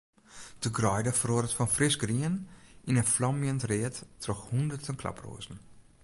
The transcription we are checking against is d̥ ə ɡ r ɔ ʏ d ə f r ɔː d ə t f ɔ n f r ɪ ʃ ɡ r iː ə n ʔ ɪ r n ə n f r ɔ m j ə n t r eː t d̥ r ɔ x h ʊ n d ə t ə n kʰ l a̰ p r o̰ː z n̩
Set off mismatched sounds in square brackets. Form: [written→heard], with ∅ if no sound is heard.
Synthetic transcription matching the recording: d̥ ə ɡ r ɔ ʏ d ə f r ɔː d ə t f ɔ n f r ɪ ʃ ɡ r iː ə n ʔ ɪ [r→∅] n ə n f [r→l] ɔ m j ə n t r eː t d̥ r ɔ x h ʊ n d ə t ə n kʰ l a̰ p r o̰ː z n̩